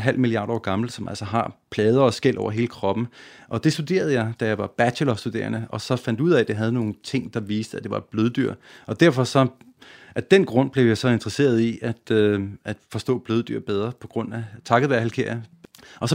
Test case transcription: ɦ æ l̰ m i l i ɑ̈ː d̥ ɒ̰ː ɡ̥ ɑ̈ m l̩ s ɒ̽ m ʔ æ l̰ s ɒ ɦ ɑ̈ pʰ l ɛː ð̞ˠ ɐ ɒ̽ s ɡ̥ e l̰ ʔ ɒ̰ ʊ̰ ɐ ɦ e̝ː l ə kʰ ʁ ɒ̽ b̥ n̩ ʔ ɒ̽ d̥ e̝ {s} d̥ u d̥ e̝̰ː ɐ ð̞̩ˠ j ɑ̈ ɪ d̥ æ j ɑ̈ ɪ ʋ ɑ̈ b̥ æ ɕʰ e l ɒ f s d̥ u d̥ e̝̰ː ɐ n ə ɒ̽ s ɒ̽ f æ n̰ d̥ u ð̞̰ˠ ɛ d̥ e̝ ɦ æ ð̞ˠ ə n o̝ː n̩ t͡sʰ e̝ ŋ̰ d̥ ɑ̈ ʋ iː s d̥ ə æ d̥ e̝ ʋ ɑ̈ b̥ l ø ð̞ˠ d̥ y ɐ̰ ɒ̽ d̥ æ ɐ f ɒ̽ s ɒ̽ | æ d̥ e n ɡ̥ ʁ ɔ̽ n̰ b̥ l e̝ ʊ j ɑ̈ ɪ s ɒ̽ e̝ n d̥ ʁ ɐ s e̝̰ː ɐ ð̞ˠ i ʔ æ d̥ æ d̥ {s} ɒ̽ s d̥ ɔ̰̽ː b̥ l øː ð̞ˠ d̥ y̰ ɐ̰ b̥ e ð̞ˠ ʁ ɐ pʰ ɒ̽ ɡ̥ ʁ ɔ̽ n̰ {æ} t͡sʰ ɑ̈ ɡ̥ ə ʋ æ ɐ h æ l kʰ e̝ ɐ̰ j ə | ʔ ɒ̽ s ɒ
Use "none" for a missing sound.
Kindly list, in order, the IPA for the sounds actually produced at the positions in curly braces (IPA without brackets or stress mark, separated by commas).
s, f, æ